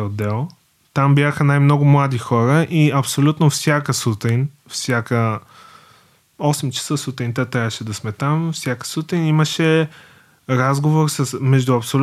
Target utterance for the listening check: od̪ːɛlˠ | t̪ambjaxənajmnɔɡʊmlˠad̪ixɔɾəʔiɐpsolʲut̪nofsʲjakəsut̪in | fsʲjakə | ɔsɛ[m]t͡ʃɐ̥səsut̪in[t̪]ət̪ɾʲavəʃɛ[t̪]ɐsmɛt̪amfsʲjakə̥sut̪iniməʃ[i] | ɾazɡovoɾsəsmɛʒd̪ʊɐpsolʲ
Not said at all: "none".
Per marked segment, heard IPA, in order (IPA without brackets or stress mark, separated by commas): m, t̪, d̪, ɛ